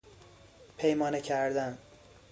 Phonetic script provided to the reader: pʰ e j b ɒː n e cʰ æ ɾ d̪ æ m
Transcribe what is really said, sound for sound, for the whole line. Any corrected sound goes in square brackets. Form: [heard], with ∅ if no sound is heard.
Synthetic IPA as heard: pʰ e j [m] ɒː n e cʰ æ ɾ d̪ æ [n]